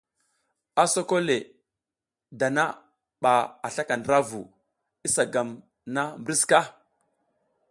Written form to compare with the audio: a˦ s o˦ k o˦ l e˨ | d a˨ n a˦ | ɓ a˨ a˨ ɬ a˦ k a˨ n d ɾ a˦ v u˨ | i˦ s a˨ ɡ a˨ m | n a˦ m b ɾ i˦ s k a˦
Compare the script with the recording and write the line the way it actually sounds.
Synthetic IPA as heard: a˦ s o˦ k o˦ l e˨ | d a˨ n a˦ | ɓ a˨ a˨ ɬ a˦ k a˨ n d ɾ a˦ v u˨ | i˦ s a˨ ɡ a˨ m | n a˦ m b ɾ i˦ s k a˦